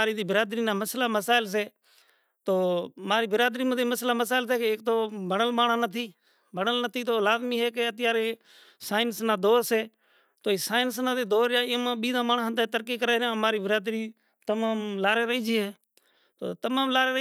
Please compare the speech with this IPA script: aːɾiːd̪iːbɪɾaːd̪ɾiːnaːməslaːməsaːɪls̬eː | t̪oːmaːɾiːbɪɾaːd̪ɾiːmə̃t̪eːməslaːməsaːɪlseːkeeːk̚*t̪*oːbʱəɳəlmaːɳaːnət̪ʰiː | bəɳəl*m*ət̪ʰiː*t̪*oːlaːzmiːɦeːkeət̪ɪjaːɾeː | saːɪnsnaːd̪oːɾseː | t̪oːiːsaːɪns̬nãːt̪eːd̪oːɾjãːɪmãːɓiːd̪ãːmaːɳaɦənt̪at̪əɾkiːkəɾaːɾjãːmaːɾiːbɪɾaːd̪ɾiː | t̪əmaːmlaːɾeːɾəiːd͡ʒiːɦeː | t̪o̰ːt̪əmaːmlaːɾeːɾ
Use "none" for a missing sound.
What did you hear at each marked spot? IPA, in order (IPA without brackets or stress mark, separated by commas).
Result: t̪, n, t̪